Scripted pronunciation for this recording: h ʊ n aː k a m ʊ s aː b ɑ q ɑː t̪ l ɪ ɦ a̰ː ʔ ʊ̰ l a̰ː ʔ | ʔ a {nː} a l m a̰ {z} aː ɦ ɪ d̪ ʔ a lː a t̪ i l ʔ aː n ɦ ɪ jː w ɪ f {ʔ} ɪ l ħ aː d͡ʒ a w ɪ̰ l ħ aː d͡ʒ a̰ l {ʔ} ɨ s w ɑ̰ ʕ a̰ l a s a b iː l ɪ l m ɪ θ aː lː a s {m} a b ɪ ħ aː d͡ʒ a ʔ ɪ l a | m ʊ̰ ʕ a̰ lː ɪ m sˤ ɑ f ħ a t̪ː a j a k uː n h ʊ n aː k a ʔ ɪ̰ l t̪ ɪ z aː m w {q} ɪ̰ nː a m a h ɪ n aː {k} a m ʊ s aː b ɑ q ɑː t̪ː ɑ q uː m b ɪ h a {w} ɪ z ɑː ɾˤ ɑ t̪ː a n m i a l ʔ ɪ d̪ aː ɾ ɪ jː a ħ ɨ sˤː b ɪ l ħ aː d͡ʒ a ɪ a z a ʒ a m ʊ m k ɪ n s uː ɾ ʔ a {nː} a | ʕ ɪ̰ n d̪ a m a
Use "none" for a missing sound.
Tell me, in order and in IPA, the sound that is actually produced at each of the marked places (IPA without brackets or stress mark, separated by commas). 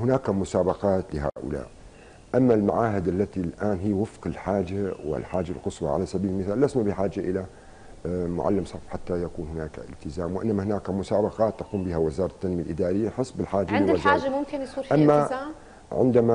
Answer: mː, ʕ, q, q, n, ʔ, k, w, mː